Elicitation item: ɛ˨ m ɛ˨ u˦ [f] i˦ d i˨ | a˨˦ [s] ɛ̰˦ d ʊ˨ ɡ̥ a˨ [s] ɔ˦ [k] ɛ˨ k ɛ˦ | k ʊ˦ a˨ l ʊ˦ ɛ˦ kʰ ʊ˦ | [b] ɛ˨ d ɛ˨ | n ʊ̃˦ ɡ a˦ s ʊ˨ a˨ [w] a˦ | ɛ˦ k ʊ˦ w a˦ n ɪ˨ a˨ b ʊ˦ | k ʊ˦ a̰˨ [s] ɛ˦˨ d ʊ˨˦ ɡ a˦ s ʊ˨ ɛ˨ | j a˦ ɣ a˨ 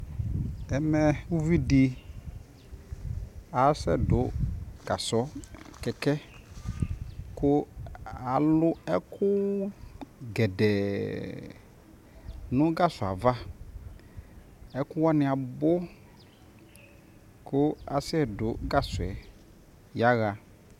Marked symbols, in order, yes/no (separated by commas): no, yes, yes, yes, no, no, yes